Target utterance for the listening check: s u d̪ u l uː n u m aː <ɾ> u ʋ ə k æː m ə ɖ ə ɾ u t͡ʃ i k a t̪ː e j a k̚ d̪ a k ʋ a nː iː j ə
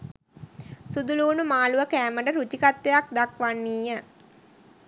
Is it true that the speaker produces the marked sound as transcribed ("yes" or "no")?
no